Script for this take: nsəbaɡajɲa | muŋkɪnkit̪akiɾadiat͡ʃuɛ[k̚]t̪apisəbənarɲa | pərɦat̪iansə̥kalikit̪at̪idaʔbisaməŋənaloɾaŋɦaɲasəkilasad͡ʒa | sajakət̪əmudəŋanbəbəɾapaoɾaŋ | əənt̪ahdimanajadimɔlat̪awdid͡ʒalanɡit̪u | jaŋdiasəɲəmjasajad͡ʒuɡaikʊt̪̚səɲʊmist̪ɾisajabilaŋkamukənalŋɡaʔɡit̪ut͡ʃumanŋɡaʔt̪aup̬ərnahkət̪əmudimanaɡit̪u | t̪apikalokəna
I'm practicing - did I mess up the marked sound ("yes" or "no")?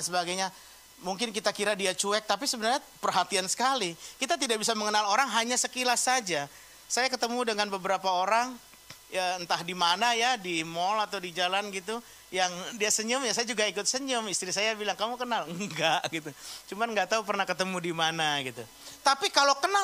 no